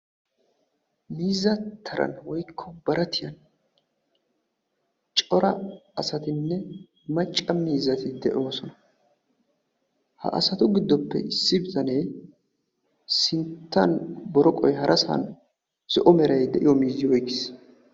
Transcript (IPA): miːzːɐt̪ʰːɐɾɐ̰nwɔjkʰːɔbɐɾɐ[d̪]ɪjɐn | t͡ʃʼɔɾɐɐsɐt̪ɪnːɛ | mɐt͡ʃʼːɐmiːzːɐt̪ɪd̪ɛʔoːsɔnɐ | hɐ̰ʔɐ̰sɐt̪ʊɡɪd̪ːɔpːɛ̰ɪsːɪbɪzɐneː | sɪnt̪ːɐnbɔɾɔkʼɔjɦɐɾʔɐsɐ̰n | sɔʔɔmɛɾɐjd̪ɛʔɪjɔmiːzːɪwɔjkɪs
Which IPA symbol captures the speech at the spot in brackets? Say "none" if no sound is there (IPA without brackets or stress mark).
t̪